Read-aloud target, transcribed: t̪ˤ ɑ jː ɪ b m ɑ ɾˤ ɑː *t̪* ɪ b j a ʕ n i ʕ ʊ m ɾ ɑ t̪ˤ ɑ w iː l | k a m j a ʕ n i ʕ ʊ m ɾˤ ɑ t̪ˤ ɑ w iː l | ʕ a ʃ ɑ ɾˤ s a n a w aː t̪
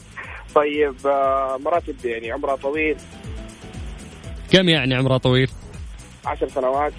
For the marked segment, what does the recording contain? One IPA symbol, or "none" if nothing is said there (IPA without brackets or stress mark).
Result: t̪